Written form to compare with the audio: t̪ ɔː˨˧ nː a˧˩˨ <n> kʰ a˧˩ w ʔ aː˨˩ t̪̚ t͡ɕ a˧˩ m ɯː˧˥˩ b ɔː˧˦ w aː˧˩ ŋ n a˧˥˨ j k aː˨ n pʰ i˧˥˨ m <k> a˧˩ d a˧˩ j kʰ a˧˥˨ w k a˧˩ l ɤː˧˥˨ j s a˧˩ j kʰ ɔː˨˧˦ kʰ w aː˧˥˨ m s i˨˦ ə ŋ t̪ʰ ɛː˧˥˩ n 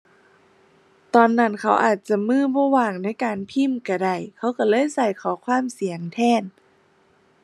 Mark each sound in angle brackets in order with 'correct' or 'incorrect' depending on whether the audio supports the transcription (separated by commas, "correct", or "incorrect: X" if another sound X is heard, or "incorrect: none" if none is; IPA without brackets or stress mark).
correct, correct